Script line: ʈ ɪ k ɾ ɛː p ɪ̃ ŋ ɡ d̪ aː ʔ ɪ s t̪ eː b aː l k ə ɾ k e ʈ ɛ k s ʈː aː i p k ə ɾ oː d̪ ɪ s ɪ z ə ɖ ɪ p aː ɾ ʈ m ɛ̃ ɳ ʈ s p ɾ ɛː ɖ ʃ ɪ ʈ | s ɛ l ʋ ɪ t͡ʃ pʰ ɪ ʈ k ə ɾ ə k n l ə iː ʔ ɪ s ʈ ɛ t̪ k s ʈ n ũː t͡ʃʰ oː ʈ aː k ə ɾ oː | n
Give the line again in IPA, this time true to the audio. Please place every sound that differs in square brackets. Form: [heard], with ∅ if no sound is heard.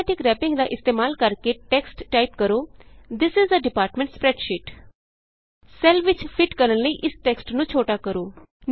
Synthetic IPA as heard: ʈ ɪ k ɾ ɛː p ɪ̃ ŋ ɡ d̪ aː ʔ ɪ s t̪ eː [m] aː l k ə ɾ k e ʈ ɛ k s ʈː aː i p k ə ɾ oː d̪ ɪ s ɪ z ə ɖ ɪ p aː ɾ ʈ m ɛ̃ ɳ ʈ s p ɾ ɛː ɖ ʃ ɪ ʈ | s ɛ l ʋ ɪ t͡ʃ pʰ ɪ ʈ k ə ɾ ə [∅] n l ə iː ʔ ɪ s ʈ ɛ [∅] k s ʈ n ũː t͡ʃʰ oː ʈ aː k ə ɾ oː | n